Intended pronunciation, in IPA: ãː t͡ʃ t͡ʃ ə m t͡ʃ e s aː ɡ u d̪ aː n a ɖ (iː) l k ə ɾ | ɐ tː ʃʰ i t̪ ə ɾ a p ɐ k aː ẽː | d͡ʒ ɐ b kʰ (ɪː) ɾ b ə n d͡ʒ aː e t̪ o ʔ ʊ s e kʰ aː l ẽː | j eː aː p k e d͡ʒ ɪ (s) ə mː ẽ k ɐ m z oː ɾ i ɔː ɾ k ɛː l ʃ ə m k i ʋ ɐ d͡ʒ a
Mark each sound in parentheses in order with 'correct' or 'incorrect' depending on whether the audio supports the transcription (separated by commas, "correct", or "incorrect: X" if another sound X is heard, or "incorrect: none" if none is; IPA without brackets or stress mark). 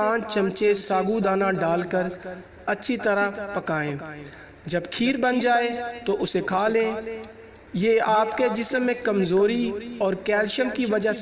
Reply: incorrect: aː, incorrect: iː, correct